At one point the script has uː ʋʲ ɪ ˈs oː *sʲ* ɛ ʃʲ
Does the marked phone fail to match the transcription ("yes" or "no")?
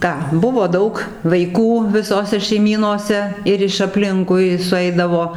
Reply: no